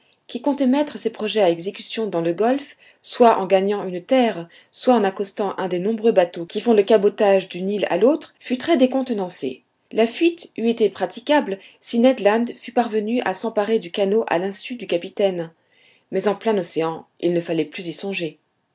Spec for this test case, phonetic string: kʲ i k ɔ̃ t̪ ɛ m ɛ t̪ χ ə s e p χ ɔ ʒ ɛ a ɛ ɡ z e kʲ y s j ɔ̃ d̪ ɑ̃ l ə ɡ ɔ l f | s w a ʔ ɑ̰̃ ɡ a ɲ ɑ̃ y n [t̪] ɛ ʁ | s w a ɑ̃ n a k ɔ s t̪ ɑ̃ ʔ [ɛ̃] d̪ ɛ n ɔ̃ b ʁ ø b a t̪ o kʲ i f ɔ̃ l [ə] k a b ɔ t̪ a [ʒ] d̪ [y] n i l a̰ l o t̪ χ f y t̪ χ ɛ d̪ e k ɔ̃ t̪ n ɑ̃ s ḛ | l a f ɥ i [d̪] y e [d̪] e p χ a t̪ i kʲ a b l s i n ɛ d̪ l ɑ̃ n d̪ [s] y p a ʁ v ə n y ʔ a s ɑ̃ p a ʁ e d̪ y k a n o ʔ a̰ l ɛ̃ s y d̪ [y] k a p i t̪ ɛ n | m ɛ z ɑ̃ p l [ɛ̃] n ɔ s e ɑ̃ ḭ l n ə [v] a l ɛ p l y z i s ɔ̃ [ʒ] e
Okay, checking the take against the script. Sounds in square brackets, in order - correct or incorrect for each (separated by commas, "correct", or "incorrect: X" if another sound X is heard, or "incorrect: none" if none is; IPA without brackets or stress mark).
correct, correct, correct, correct, correct, incorrect: t̪, incorrect: t̪, incorrect: f, correct, correct, incorrect: f, correct